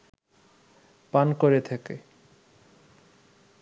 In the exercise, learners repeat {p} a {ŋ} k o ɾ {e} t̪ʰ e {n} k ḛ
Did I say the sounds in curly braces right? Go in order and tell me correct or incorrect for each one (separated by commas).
correct, incorrect, correct, incorrect